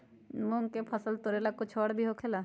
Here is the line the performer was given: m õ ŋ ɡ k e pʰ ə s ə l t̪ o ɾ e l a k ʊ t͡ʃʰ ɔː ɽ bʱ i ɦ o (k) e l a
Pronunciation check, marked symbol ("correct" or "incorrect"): incorrect